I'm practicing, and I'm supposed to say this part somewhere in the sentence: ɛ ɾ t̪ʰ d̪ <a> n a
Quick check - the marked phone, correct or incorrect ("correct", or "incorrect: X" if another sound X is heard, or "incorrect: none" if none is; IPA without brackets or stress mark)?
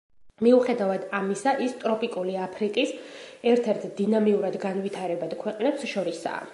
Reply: incorrect: i